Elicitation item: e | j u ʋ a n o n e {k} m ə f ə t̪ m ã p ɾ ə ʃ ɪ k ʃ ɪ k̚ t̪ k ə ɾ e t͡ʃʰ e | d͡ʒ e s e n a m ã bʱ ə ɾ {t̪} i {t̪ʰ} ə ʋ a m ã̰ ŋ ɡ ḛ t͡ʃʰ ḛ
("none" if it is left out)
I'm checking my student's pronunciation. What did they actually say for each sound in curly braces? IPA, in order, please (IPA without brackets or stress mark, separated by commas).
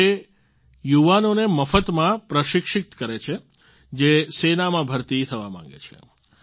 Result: none, t̪, t̪ʰ